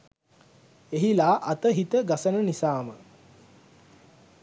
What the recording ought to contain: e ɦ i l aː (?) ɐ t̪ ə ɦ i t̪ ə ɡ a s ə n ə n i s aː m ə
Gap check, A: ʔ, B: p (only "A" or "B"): A